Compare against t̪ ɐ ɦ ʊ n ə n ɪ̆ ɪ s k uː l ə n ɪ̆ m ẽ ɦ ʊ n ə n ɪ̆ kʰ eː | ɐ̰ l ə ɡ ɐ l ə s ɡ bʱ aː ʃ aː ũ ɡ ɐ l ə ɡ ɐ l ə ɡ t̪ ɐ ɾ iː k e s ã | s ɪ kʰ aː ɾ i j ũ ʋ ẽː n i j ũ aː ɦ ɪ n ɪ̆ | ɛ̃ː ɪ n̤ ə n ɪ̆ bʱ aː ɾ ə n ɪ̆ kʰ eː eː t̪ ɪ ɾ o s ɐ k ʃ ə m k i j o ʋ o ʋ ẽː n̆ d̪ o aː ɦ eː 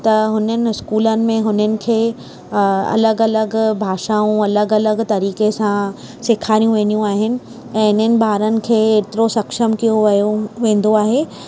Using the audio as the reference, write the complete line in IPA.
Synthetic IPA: t̪ ɐ ɦ ʊ n ə n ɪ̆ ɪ s k uː l ə n ɪ̆ m ẽ ɦ ʊ n ə n ɪ̆ kʰ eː | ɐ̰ l ə ɡ ɐ l ə ɡ bʱ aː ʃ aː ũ ɐ l ə ɡ ɐ l ə ɡ t̪ ɐ ɾ iː k e s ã | s ɪ kʰ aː ɾ i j ũ ʋ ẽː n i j ũ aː ɦ ɪ n ɪ̆ | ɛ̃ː ɪ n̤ ə n ɪ̆ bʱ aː ɾ ə n ɪ̆ kʰ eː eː t̪ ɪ ɾ o s ɐ k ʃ ə m k i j o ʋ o ʋ ẽː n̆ d̪ o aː ɦ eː